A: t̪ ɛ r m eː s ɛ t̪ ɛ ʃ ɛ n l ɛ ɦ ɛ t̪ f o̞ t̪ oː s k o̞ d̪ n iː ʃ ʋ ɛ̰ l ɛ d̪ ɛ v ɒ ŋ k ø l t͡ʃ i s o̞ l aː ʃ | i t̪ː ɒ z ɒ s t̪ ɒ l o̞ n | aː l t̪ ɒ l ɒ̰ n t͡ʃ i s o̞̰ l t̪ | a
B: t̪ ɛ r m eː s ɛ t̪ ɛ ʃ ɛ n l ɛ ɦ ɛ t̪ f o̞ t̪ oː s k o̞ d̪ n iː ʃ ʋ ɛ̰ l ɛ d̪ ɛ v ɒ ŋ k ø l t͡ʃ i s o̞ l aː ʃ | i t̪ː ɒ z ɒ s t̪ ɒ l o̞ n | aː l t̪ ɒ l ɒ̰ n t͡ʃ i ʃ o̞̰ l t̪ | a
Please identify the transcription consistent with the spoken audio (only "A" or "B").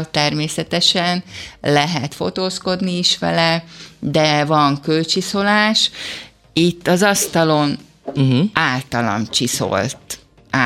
A